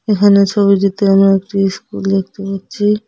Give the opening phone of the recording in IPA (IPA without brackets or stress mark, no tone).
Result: e